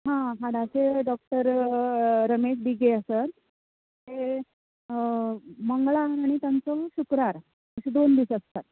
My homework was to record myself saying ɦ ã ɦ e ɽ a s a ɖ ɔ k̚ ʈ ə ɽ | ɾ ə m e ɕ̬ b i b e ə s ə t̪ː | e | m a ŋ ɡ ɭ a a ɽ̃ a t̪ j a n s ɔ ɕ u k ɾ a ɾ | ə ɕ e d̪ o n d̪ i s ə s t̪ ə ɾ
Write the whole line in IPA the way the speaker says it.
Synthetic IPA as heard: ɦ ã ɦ a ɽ a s e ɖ ɔ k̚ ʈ ə ɾ | ɾ ə m e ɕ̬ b i ɡ e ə s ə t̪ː | e | m ə ŋ ɡ ɭ a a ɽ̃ i t̪ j a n t͡s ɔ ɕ u k ɾ a ɾ | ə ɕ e d̪ o n d̪ i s ə s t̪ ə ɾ

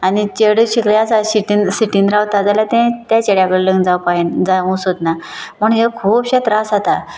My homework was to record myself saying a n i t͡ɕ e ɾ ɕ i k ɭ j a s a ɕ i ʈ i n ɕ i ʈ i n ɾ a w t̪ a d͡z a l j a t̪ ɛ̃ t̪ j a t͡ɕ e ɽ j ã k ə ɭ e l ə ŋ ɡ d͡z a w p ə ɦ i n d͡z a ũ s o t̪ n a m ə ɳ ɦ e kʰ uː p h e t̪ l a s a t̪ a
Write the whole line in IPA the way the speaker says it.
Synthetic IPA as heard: a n i t͡ɕ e ɽ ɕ i k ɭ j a s a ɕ i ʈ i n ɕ i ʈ i n ɾ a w t̪ a d͡z a l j a t̪ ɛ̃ t̪ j a t͡ɕ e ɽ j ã k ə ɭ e l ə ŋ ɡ d͡z a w p a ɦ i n d͡z a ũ s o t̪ n a m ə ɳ ɦ e kʰ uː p ɕ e t̪ ɾ a s a t̪ a

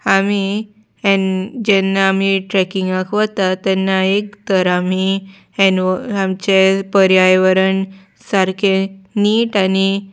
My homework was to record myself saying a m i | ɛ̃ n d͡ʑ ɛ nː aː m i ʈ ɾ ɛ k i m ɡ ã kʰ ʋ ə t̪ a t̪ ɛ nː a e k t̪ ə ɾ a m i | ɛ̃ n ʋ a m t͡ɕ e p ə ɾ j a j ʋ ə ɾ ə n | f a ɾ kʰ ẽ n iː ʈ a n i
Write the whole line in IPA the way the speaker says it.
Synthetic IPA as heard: a m i | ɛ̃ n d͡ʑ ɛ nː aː m i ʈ ɾ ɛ k i ŋ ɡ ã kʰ ʋ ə t̪ a t̪ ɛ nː a e k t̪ ə ɾ a m i | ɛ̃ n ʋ a m t͡ɕ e p ə ɾ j a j ʋ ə ɾ ə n | s a ɾ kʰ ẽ n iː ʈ a n i

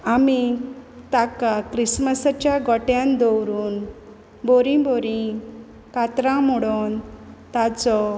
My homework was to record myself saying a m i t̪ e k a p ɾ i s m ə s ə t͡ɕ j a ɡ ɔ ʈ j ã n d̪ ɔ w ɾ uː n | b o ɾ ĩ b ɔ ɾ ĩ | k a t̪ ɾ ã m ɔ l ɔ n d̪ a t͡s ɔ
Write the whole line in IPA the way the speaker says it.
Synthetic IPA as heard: a m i t̪ a k a k ɾ i s m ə s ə t͡ɕ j a ɡ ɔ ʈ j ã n d̪ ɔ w ɾ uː n | b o ɾ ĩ b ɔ ɾ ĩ | k a t̪ ɾ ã m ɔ ɽ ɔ n t̪ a t͡s ɔ

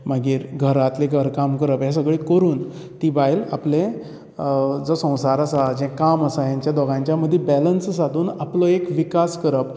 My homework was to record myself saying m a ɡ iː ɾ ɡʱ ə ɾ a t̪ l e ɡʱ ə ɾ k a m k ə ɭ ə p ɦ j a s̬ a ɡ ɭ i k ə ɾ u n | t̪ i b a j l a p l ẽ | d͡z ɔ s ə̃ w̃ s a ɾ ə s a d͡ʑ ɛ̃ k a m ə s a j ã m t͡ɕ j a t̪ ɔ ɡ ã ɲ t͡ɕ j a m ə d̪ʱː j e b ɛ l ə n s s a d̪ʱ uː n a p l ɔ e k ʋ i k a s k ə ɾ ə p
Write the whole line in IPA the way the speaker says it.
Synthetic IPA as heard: m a ɡ iː ɾ ɡʱ ə ɾ a t̪ l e ɡʱ ə ɾ k a m k ə ɾ ə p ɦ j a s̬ ə ɡ ɭ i k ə ɾ uː n | t̪ i b a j l a p l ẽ | d͡z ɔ s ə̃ w̃ s a ɾ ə s a d͡ʑ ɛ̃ k a m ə s a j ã ɲ t͡ɕ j a d̪ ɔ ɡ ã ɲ t͡ɕ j a m ə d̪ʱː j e b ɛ l ə n s s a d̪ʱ uː n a p l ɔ e k ʋ i k a s k ə ɾ ə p

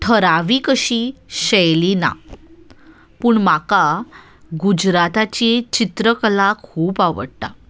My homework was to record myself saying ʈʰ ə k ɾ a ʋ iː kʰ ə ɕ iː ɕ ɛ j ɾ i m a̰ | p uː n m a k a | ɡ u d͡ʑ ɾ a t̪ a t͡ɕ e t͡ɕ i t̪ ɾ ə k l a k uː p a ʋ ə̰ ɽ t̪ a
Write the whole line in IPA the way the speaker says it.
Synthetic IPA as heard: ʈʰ ə ɾ a ʋ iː k ə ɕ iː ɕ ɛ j l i n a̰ | p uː ɳ m a k a | ɡ u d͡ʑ ɾ a t̪ a t͡ɕ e t͡ɕ i t̪ ɾ ə k l a kʰ uː p a ʋ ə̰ ɽ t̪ a

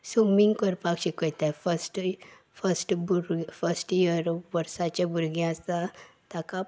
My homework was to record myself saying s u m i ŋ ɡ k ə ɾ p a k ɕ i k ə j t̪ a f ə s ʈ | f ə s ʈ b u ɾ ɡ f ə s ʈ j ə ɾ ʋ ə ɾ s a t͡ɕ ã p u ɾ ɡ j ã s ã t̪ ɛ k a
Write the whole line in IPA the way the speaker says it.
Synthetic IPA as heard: s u m i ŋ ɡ k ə ɾ p a k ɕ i k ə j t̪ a f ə s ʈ | f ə s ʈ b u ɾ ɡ f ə s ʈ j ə ɾ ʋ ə ɾ s a t͡ɕ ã b u ɾ ɡ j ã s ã t̪ a k a

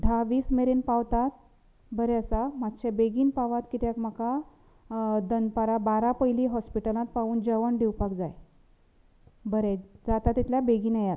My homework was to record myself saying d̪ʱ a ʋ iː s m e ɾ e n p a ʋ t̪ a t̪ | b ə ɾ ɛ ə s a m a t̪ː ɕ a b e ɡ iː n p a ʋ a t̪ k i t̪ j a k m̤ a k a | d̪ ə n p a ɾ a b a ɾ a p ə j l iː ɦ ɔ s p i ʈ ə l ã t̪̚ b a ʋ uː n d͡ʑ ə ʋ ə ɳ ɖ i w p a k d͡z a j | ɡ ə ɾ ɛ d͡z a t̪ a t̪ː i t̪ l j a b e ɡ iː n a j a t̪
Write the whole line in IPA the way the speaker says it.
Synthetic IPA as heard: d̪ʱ a ʋ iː s m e ɾ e n p a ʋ t̪ a t̪ | b ə ɾ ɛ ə s a m a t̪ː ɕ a b e ɡ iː n p a ʋ a t̪ k i t̪ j a k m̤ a k a | d̪ ə n p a ɾ a b a ɾ a p ə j l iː ɦ ɔ s p i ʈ ə l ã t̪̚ p a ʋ uː n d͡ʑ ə ʋ ə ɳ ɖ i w p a k d͡z a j | b ə ɾ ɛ d͡z a t̪ a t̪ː i t̪ l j a b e ɡ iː n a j a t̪

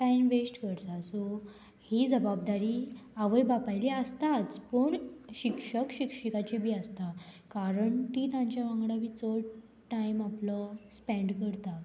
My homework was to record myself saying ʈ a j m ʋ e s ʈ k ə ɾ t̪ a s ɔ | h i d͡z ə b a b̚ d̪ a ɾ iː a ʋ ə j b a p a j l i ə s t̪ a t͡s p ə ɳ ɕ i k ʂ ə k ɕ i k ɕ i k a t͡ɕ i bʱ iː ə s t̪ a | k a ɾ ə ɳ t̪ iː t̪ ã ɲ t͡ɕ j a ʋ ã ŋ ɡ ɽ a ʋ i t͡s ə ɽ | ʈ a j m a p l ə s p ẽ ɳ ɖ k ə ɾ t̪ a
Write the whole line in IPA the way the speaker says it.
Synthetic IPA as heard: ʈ a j m ʋ e s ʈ k ə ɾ t̪ a s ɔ | h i d͡z ə b a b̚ d̪ a ɾ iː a ʋ ə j b a p a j l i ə s t̪ a t͡s p ə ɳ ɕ i k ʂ ə k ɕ i k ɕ i k a t͡ɕ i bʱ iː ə s t̪ a | k a ɾ ə ɳ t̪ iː t̪ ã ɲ t͡ɕ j a ʋ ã ŋ ɡ ɽ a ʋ i t͡s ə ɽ | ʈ a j m a p l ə s p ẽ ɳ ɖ k ə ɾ t̪ a

